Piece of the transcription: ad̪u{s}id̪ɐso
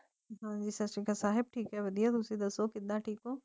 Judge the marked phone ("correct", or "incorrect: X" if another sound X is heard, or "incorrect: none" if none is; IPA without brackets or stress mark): correct